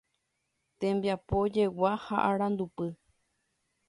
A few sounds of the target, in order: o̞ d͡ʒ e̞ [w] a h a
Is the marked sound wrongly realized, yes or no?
no